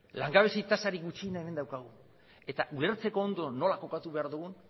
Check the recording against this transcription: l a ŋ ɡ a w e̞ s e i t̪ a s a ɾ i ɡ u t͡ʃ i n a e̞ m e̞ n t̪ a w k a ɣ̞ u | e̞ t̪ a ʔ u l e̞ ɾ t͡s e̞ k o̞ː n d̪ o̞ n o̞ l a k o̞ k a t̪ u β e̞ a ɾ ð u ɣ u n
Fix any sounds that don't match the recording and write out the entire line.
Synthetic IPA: l a ŋ ɡ a β e̞ s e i t̪ a s a ɾ i ɡ u t͡ʃ i n a e̞ m e̞ n d̪ a w k a ɣ̞ u | e̞ t̪ a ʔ u l e̞ ɾ t͡s e̞ k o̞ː n d̪ o̞ n o̞ l a k o̞ k a t̪ u β e̞ a ɾ ð u ɣ u n